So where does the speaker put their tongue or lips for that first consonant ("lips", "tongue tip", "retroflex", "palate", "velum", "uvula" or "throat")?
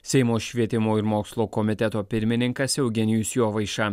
tongue tip